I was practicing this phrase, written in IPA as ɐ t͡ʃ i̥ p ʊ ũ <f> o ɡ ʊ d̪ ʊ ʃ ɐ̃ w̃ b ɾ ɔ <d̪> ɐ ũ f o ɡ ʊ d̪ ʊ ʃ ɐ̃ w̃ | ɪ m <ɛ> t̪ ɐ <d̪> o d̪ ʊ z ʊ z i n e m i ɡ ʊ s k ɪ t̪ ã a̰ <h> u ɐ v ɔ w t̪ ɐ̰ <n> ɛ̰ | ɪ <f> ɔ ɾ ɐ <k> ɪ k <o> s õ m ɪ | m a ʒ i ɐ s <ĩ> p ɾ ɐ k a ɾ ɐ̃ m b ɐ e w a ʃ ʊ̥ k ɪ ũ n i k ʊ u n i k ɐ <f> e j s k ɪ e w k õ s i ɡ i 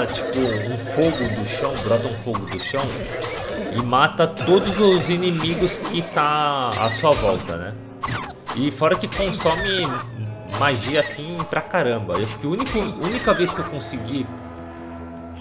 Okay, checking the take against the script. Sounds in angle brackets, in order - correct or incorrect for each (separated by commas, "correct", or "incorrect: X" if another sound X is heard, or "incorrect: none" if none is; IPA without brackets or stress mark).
correct, incorrect: t̪, incorrect: a, incorrect: t̪, incorrect: s, correct, correct, correct, incorrect: õ, correct, incorrect: v